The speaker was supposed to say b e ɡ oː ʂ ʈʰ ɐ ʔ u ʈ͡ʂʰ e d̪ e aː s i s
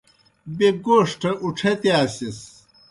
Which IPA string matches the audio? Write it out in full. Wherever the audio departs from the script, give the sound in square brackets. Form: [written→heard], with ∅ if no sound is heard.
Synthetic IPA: b e ɡ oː ʂ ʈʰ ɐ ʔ u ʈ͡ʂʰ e [d̪→t̪] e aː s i s